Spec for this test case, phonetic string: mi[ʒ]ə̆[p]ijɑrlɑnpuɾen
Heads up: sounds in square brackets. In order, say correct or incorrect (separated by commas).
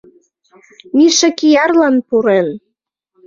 incorrect, incorrect